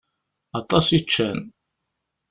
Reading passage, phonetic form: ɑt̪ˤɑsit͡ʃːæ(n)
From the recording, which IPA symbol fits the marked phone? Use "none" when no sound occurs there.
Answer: n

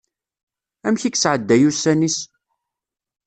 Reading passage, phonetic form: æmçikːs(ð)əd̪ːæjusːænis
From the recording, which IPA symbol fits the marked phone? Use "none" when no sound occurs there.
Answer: ʕ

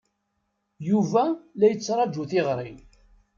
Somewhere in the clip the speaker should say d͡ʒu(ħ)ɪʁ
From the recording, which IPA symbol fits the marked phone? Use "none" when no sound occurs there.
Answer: θ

